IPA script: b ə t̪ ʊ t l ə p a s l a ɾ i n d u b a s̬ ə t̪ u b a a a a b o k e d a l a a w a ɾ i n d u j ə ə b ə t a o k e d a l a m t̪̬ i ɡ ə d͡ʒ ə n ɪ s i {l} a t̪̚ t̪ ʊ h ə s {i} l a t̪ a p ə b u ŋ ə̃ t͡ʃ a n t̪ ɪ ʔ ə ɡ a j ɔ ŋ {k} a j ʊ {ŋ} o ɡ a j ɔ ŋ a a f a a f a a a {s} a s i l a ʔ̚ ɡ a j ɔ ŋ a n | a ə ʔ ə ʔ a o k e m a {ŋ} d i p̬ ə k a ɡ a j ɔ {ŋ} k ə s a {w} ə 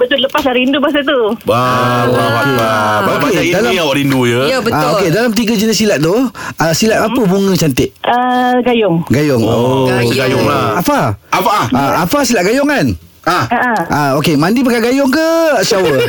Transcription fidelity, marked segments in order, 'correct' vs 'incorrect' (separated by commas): correct, correct, incorrect, correct, incorrect, incorrect, correct, correct